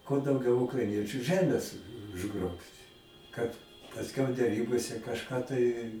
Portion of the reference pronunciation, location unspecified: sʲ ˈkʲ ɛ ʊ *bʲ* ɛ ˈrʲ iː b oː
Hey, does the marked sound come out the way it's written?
no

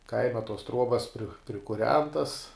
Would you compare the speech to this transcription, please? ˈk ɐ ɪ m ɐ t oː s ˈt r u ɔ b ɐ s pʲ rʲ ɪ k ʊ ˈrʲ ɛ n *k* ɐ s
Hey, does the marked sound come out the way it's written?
no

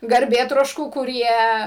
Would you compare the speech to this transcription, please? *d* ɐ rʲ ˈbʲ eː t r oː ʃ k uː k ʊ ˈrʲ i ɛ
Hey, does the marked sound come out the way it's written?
no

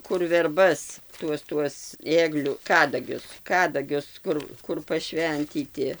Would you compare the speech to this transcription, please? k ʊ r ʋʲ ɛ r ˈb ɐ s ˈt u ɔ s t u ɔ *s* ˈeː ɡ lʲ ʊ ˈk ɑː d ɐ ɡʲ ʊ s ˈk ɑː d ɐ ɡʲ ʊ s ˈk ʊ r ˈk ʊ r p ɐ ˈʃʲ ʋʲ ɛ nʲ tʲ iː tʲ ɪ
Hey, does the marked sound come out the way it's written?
yes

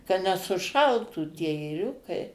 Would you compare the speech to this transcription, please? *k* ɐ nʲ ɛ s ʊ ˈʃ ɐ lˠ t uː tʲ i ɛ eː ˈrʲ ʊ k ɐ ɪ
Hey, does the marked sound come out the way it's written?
yes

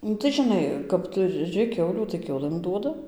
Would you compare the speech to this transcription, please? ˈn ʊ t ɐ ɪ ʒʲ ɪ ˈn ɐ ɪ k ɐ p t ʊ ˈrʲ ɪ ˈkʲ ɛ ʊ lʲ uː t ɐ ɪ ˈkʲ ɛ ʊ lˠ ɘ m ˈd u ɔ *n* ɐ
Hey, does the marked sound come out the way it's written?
no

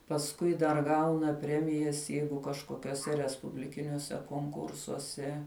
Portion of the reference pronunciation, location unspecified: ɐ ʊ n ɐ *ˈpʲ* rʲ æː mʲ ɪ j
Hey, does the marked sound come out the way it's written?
yes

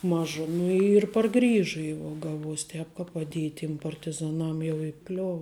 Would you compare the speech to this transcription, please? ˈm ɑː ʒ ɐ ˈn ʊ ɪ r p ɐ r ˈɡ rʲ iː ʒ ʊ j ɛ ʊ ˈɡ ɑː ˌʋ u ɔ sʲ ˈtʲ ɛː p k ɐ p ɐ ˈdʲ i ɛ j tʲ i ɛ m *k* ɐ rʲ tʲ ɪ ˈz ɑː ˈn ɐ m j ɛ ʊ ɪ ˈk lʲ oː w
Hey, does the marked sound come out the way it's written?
no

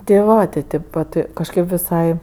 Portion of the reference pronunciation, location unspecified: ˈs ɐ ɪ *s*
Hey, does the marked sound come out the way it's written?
no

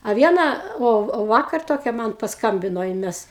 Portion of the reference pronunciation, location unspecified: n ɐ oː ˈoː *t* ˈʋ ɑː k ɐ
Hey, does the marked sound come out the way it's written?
no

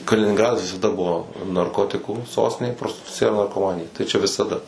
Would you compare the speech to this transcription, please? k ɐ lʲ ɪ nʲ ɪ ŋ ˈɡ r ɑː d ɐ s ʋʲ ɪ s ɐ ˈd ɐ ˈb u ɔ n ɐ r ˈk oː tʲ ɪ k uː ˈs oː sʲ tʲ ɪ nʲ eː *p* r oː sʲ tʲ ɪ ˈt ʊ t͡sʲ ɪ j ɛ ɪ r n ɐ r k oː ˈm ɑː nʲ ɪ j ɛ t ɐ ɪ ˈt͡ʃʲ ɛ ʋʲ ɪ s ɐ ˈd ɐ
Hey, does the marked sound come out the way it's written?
yes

